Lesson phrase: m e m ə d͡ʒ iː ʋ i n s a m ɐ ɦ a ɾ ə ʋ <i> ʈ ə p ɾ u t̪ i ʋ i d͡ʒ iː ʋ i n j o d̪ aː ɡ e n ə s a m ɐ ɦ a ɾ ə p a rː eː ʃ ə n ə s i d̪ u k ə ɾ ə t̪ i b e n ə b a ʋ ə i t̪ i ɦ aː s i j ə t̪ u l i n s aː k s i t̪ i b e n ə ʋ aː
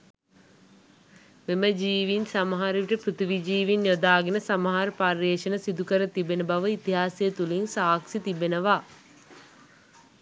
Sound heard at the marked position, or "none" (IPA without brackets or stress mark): i